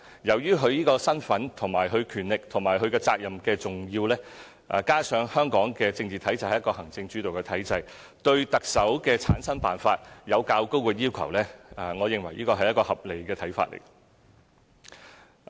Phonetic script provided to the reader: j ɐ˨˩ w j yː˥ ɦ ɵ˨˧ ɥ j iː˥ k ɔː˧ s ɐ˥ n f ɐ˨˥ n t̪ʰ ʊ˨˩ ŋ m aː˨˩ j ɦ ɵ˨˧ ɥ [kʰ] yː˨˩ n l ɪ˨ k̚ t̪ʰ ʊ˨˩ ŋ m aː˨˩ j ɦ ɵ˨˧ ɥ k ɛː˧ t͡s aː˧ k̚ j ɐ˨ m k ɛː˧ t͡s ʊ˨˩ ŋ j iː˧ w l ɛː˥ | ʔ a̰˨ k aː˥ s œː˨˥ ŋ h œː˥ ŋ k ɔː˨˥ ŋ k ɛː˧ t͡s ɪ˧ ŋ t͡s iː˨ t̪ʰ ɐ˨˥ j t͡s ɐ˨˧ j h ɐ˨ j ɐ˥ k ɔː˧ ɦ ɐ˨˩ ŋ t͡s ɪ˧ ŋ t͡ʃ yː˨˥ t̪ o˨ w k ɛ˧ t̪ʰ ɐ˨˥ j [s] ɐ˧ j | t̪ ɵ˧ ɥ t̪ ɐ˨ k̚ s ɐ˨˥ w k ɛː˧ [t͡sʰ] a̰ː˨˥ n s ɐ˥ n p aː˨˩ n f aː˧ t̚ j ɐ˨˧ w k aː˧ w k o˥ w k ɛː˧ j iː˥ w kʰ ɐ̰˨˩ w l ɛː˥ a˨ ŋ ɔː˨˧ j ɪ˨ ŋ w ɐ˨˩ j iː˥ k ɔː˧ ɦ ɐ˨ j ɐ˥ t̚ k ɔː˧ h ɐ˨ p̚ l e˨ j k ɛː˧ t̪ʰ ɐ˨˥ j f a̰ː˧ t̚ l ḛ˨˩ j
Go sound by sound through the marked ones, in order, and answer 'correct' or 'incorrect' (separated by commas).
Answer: correct, incorrect, correct